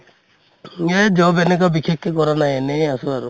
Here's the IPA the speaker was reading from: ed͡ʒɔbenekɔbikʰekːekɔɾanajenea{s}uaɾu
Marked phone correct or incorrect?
correct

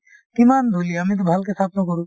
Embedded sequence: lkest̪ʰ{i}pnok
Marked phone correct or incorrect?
incorrect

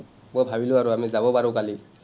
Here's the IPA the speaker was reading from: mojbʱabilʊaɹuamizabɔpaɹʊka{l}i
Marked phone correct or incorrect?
correct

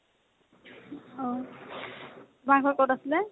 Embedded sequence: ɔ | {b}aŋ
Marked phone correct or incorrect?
correct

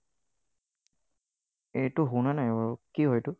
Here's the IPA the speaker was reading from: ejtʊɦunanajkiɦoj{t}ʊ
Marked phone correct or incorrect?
correct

